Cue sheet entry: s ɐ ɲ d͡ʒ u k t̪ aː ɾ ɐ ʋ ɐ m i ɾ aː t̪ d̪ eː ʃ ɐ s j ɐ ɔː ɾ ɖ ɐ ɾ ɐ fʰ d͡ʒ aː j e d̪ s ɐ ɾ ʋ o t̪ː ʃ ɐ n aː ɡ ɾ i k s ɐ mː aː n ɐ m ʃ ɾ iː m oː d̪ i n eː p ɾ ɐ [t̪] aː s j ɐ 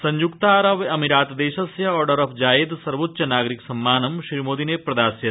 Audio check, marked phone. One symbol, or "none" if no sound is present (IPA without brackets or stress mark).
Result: d̪